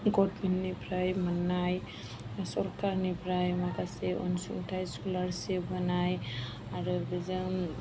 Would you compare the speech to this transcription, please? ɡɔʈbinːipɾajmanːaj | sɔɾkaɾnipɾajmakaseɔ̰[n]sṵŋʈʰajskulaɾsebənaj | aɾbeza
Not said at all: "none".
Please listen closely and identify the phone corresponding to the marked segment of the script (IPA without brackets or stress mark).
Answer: n